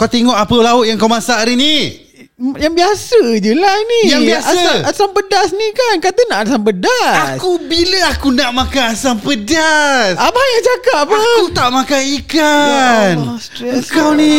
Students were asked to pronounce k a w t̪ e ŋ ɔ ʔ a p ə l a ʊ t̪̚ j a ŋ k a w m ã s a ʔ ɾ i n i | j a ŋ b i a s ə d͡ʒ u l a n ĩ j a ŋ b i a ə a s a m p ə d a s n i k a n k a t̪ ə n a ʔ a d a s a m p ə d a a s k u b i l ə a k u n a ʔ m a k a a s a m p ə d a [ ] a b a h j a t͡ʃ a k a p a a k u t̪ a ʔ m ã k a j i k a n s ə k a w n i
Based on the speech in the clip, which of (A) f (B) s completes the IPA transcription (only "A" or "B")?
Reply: B